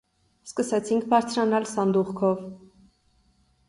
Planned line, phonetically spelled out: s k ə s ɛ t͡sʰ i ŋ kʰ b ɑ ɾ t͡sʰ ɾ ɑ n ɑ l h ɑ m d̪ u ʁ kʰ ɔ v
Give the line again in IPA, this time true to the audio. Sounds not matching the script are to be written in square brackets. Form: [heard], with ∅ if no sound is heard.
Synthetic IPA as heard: s k ə s ɛ t͡sʰ i ŋ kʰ b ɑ ɾ t͡sʰ ɾ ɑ n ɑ l [s] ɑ [n] d̪ u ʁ kʰ ɔ v